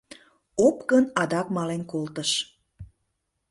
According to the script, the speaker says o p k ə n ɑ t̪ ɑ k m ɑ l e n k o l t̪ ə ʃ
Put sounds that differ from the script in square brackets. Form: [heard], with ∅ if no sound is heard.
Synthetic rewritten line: o p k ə n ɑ [d̪] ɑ k m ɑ l e n k o l t̪ ə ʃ